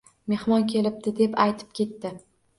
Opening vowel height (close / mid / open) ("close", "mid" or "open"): mid